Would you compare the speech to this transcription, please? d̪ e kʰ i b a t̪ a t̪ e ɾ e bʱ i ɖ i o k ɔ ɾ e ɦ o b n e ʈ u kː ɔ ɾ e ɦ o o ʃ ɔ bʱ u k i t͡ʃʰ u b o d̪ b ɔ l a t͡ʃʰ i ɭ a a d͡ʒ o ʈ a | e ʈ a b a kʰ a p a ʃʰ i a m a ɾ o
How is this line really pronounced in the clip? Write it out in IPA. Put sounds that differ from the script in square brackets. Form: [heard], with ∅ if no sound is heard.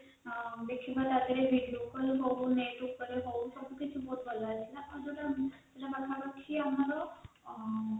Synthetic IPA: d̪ e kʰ i b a t̪ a [d̪] e ɾ e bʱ i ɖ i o k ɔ ɾ e ɦ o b n e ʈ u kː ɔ ɾ e ɦ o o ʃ ɔ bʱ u k i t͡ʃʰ u b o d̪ b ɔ l a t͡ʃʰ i [l] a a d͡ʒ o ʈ a | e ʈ a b a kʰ a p a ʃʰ i a m a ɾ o